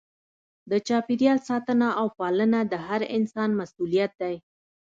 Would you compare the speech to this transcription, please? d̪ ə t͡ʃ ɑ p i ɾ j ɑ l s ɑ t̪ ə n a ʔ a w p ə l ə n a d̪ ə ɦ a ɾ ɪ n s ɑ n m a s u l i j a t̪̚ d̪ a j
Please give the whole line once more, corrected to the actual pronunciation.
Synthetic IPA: d̪ ə t͡ʃ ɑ p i ɾ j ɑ l s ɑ t̪ ə n a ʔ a w p ɑ l ə n a d̪ ə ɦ a ɾ ɪ n s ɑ n m a s u l i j a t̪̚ d̪ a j